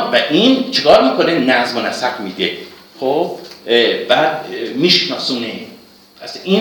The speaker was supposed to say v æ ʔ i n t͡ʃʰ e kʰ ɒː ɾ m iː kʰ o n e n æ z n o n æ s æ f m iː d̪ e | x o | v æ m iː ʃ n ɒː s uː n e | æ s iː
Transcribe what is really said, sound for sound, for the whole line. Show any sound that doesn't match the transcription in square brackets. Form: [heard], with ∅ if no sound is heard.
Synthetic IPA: v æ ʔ i n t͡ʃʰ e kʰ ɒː ɾ m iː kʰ o n e n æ z [m] o n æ s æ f m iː d̪ e | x o | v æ m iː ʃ n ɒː s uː n e | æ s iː